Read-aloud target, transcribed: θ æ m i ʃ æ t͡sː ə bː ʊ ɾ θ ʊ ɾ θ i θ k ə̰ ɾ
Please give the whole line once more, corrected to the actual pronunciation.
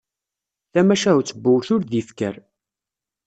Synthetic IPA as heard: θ æ m æ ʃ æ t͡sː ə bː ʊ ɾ θ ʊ ɾ ð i f k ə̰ ɾ